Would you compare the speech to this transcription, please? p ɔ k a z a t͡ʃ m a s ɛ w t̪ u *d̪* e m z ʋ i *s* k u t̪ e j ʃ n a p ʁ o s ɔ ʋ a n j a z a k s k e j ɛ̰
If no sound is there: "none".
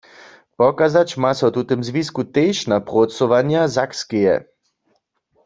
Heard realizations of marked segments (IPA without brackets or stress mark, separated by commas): t̪, s